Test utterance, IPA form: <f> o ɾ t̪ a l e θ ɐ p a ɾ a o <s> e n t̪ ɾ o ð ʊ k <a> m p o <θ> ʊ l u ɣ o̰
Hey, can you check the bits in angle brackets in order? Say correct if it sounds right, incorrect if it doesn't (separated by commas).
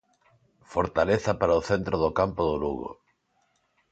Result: correct, incorrect, correct, incorrect